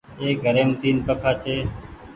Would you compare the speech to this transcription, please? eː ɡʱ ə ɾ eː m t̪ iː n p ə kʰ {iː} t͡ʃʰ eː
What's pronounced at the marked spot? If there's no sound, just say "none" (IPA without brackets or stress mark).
aː